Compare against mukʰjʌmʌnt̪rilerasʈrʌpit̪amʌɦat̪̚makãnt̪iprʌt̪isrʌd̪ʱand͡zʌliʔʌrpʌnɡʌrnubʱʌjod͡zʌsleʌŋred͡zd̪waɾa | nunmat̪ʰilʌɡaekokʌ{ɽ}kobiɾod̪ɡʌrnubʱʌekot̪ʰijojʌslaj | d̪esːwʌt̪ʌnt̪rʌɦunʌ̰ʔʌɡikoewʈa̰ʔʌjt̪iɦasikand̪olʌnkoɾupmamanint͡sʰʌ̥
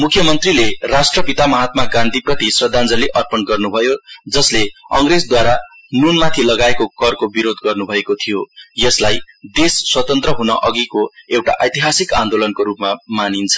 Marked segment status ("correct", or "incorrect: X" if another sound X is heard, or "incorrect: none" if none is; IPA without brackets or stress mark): incorrect: r